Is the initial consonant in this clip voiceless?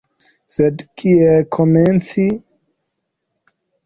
yes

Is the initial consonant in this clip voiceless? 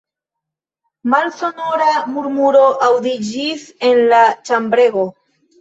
no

